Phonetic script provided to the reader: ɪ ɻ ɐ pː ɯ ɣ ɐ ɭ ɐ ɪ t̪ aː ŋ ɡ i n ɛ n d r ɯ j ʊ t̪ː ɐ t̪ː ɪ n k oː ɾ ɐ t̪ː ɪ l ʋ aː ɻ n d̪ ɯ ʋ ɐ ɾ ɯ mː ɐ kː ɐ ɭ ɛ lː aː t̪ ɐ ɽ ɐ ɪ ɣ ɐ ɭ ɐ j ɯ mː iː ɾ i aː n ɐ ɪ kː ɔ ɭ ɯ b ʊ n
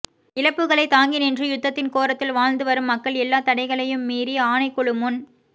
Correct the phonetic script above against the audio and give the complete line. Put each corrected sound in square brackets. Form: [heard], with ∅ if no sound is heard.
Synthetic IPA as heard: ɪ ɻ ɐ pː ɯ ɣ ɐ ɭ ɐ ɪ t̪ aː ŋ ɡ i n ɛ n d r ɯ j ʊ t̪ː ɐ t̪ː ɪ n k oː ɾ ɐ t̪ː ɪ l ʋ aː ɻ n d̪ ɯ ʋ ɐ ɾ ɯ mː ɐ kː ɐ ɭ ɛ lː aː t̪ ɐ ɽ ɐ ɪ ɣ ɐ ɭ ɐ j ɯ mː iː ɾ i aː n ɐ ɪ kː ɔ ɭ ɯ [m] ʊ n